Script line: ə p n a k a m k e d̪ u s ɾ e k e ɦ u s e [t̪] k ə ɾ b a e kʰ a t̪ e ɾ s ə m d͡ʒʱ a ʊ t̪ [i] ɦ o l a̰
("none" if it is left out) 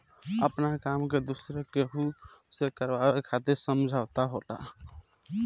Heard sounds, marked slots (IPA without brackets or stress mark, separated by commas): none, a